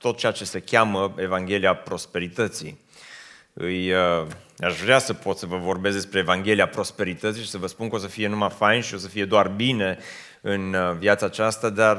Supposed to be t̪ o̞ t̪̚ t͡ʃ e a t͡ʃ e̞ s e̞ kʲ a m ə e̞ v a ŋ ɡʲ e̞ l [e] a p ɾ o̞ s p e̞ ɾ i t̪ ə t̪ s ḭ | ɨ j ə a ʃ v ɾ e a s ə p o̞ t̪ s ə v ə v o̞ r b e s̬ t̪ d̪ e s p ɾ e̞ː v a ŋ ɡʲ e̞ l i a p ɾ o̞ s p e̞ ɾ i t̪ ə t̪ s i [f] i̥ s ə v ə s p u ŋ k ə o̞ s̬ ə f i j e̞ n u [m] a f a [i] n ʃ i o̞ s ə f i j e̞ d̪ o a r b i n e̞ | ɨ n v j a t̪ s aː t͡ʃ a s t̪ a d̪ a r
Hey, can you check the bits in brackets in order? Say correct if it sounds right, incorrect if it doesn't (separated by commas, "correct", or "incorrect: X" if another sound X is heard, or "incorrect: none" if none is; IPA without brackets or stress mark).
incorrect: i, incorrect: ʃ, correct, incorrect: j